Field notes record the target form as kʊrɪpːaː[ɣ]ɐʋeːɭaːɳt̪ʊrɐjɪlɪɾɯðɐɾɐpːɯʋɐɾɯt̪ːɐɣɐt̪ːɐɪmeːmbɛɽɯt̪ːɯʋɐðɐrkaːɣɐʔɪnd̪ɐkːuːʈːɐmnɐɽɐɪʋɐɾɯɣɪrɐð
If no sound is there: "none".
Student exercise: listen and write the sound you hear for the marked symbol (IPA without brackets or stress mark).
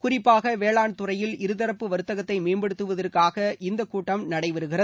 ɣ